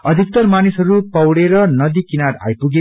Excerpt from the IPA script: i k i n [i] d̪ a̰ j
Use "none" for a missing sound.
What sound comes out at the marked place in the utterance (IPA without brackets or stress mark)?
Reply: a